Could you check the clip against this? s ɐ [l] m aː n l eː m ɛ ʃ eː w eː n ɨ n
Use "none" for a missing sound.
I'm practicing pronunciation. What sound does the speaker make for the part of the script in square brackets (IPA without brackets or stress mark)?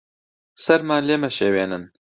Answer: ɾ